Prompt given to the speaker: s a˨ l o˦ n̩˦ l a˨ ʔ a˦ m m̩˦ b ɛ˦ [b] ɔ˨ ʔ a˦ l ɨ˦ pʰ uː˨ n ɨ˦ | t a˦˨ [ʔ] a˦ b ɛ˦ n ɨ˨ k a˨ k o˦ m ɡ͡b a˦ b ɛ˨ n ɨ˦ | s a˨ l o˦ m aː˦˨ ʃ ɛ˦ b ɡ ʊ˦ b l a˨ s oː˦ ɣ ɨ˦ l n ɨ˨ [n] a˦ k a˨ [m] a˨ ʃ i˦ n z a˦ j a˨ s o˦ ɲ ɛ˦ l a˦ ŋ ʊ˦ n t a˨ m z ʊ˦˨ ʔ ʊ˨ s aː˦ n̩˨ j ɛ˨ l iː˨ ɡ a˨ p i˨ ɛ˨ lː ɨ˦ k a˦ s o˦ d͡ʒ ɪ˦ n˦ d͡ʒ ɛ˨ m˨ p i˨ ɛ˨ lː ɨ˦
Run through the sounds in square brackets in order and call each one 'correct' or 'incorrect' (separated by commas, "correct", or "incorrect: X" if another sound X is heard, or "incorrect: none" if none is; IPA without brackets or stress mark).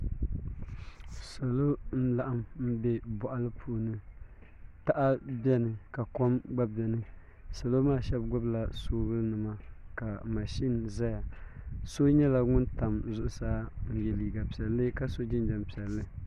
correct, correct, incorrect: m, correct